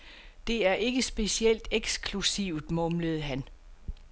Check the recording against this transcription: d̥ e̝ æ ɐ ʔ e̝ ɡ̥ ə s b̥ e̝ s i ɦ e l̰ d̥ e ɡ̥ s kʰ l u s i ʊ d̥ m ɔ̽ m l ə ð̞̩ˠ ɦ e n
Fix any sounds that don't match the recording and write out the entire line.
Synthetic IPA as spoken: d̥ e̝ æ ɐ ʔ e̝ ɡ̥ ə s b̥ e̝ s i e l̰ d̥ e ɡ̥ s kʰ l u s i ʊ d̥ m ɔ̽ m l ə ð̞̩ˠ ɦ æ n